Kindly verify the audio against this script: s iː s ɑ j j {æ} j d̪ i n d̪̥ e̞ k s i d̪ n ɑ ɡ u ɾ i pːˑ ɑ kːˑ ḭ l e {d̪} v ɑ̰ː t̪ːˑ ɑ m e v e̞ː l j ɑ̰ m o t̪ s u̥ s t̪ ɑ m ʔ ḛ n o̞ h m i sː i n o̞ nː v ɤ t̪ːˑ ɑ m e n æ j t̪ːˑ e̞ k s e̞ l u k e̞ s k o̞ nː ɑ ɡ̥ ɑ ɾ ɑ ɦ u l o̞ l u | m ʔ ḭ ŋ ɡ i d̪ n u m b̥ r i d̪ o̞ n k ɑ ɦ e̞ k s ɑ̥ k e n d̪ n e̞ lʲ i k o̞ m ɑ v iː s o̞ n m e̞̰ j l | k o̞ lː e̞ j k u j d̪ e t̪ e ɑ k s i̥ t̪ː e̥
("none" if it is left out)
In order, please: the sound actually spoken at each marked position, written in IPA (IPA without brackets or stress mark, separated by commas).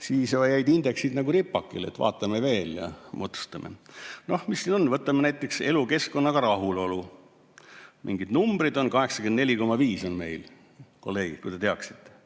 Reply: æ, t̪